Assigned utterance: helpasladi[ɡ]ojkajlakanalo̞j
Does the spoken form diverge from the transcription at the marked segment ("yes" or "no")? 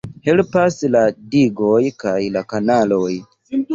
no